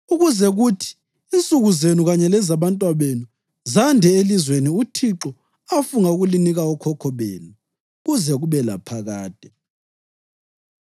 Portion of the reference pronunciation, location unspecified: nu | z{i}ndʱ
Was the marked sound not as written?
yes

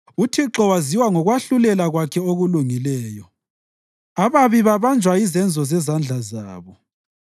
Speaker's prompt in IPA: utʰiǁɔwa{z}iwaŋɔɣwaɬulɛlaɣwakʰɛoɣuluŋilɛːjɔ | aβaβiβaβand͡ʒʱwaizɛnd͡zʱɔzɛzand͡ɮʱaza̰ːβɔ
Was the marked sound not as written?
no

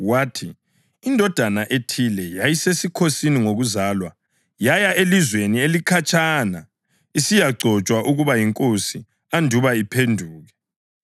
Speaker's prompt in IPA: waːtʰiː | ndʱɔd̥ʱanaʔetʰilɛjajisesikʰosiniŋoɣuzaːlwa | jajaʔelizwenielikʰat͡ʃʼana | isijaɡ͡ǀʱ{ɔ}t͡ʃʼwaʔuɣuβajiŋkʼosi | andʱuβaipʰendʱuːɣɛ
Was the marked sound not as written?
no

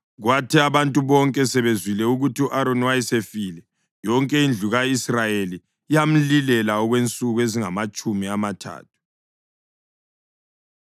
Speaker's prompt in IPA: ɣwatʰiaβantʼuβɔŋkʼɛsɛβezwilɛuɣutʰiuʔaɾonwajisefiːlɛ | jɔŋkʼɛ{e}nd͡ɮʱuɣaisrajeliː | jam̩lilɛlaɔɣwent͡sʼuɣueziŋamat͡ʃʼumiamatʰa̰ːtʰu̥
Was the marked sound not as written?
yes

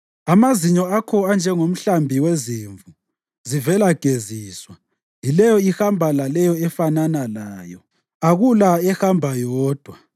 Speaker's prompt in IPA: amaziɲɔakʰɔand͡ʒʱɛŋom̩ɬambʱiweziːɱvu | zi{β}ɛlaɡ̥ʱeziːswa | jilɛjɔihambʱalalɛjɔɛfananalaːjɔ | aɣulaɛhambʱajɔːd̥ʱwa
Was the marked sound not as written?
yes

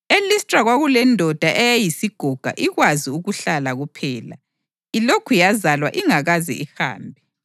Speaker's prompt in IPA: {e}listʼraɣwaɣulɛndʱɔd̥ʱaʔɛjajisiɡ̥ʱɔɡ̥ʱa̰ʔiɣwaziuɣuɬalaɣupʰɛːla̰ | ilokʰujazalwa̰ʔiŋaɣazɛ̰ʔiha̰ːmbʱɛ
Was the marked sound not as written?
no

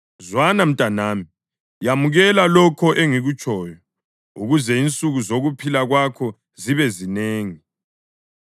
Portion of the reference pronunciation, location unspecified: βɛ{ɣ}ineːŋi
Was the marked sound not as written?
yes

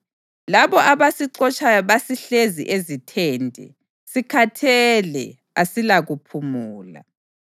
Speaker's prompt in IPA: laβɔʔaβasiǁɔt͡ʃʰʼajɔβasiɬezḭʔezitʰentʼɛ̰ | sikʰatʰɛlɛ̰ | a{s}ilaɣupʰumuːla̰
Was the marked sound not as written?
no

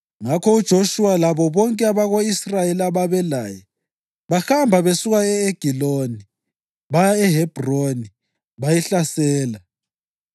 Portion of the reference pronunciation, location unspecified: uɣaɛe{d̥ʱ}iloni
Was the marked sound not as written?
yes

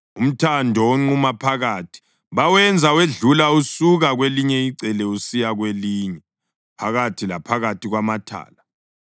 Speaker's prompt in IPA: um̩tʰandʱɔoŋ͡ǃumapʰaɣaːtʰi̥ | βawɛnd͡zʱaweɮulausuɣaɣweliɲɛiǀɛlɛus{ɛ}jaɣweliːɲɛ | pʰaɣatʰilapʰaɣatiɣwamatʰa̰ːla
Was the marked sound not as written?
yes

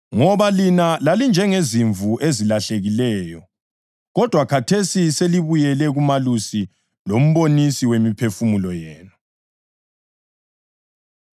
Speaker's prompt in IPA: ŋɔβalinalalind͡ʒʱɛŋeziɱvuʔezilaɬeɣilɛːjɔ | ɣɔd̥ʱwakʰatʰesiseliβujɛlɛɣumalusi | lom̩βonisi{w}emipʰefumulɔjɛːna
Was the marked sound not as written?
no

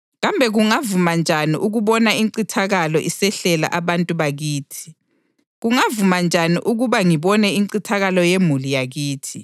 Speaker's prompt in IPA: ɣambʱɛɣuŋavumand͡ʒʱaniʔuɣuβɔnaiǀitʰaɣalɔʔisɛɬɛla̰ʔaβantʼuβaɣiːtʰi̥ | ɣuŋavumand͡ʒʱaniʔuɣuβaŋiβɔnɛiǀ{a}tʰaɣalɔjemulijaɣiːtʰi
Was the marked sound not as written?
yes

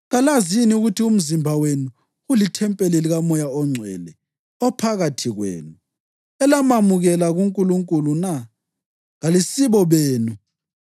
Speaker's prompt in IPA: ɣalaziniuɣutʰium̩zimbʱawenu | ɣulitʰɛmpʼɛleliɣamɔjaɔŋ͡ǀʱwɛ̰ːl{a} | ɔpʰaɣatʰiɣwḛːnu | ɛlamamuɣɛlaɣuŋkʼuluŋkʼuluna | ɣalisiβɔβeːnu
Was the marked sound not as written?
yes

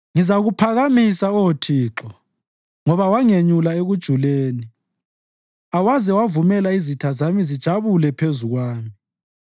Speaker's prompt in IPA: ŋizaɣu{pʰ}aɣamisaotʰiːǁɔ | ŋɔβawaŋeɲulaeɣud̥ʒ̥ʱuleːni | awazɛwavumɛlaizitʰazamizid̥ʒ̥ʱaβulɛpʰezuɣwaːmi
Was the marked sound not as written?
no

